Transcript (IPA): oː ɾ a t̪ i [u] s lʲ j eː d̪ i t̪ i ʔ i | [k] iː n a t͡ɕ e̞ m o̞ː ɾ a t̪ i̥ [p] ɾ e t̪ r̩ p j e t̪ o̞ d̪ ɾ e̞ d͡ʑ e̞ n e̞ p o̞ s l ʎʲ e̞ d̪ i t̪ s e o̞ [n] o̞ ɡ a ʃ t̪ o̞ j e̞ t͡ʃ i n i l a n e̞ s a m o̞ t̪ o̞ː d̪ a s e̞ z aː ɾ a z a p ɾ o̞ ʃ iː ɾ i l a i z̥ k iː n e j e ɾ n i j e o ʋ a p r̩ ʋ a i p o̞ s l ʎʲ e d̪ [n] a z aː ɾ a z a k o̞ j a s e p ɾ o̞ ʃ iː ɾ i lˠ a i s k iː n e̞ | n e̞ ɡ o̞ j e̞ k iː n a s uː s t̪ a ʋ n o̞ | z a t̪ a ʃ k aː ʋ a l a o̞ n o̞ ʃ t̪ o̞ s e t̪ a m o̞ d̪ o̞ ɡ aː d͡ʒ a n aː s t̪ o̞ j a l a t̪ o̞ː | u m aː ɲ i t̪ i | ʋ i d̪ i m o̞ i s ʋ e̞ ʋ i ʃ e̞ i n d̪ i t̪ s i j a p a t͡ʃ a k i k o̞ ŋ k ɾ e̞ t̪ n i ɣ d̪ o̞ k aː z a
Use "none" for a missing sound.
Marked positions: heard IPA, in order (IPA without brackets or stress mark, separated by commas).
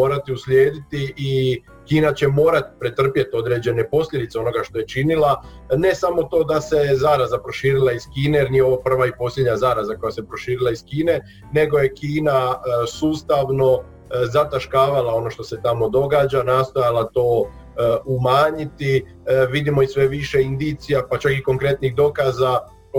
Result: u, k, p, n, ɲ